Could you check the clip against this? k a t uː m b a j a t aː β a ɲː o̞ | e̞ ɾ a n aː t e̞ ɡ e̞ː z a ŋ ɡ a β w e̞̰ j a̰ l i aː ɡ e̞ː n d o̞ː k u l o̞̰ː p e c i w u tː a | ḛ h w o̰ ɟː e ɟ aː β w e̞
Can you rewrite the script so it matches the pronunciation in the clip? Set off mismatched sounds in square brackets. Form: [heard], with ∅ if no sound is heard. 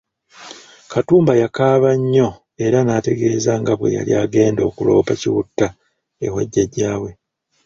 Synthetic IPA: k a t uː m b a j a [k] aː β a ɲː o̞ | e̞ ɾ a n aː t e̞ ɡ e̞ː z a ŋ ɡ a β w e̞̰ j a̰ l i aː ɡ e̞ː n d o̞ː k u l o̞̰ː p [a] c i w u tː a | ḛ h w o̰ ɟː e ɟ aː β w e̞